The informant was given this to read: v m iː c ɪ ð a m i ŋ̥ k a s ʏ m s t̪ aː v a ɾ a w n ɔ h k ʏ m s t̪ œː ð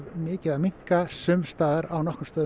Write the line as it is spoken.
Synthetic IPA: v m ɪː c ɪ ð a m i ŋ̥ k a s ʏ m s t̪ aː ð a ɾ a w n ɔ h k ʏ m s t̪ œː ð